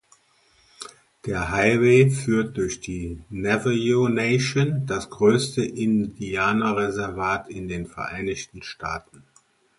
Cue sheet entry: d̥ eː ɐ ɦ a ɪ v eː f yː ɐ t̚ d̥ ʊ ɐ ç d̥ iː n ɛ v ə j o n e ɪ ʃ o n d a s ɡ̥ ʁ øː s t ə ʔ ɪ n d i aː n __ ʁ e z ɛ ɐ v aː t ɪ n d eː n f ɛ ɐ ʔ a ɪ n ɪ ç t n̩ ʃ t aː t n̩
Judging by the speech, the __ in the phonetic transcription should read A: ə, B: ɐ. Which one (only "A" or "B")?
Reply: B